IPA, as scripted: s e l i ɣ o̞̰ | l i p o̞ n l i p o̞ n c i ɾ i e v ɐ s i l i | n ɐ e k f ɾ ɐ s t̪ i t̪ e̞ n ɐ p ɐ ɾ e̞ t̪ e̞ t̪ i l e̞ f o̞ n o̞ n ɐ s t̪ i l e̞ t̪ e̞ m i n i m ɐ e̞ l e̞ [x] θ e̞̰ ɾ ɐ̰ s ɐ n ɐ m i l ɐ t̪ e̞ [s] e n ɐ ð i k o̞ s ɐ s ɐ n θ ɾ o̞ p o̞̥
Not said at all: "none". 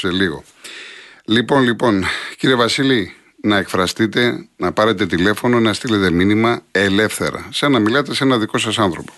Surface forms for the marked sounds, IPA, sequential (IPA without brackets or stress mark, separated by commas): f, s